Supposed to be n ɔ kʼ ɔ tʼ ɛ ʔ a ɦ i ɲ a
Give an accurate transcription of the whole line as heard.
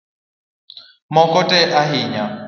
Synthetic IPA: m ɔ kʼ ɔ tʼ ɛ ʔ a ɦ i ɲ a